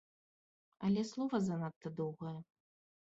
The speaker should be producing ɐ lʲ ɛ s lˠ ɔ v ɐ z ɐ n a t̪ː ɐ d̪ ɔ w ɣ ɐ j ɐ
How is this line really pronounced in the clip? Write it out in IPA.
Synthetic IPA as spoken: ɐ lʲ ɛ s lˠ ɔ v ɐ z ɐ n a t̪ː ɐ d̪ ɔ w ɣ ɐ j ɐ

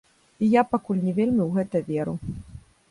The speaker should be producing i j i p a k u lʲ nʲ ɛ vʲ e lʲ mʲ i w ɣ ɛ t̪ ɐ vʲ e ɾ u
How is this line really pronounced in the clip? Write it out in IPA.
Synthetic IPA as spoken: i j a p a k u lʲ nʲ ɛ vʲ e lʲ mʲ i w ɣ ɛ t̪ ɐ vʲ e ɾ u

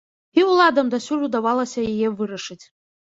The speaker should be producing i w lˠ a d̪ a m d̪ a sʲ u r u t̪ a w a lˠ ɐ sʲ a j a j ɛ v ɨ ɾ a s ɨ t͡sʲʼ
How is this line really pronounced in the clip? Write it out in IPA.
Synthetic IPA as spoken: i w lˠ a d̪ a m d̪ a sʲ u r u d̪ a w a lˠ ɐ sʲ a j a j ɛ v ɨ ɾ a ʂ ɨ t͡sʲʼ

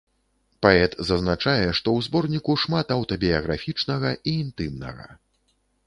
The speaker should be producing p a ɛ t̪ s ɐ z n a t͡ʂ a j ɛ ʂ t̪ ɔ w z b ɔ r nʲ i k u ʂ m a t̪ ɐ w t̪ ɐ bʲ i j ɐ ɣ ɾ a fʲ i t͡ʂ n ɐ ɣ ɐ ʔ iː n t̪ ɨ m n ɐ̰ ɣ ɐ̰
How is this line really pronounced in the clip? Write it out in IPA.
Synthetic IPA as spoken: p a ɛ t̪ z ɐ z n a t͡ʂ a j ɛ ʂ t̪ ɔ w z b ɔ r nʲ i k u ʂ m a t̪ ɐ w t̪ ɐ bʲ i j ɐ ɣ ɾ a fʲ i t͡ʂ n ɐ ɣ ɐ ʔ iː n t̪ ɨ m n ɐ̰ ɣ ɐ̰

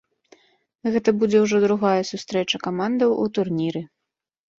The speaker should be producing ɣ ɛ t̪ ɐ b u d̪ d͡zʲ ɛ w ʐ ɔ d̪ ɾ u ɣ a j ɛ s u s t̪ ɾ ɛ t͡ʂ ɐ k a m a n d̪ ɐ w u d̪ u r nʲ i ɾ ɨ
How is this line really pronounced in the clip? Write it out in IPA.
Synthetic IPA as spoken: ɣ ɛ t̪ ɐ b u d͡zʲ ɛ w ʐ ɔ d̪ ɾ u ɣ a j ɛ s u s t̪ ɾ ɛ t͡ʂ ɐ k a m a n d̪ ɐ w u t̪ u r nʲ i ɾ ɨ

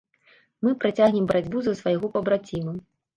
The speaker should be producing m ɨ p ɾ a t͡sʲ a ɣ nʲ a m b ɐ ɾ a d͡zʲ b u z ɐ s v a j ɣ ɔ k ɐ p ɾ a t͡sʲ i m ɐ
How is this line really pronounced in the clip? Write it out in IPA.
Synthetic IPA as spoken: m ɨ p ɾ a t͡sʲ a ɣ nʲ ɛ m b ɐ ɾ a d͡zʲ b u z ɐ s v a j ɣ ɔ p ɐ b ɾ a t͡sʲ i m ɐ

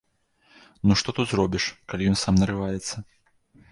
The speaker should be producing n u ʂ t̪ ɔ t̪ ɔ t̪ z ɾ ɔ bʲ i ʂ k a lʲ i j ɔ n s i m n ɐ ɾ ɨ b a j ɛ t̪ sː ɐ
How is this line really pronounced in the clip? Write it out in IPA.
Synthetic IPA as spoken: n u ʂ t̪ ɔ t̪ u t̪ z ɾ ɔ bʲ i ʂ k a lʲ i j ɔ n s a m n ɐ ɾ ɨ v a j ɛ t̪ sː ɐ

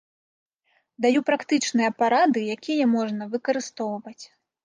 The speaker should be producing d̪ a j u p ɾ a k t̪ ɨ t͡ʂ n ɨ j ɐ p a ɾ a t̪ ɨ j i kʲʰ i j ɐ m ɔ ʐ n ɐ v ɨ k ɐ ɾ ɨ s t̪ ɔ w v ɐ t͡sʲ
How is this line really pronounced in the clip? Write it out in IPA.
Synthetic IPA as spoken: d̪ a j u p ɾ a k t̪ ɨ t͡ʂ n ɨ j ɐ p a ɾ a d̪ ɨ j a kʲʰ i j ɐ m ɔ ʐ n ɐ v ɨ k ɐ ɾ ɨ s t̪ ɔ w v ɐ t͡sʲ

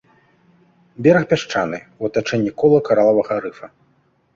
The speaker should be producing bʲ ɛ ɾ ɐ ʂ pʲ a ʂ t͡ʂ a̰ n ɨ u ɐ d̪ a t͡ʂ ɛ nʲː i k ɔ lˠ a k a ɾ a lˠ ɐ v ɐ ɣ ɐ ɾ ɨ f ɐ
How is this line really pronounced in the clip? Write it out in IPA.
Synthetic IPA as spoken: bʲ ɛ ɾ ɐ x pʲ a ʂ t͡ʂ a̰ n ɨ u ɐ t̪ a t͡ʂ ɛ nʲː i k ɔ lˠ ɐ k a ɾ a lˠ ɐ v ɐ ɣ ɐ ɾ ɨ f ɐ

